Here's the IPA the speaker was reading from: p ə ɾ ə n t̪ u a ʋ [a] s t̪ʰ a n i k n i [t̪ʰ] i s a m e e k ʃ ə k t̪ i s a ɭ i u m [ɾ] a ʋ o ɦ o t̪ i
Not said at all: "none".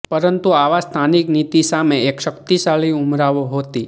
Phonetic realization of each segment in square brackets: a, t̪, ɾ

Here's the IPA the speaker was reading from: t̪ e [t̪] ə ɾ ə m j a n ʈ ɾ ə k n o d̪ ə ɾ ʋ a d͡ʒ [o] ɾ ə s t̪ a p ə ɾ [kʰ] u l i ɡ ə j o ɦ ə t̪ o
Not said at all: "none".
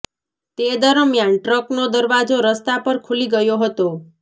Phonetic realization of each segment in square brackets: d̪, o, kʰ

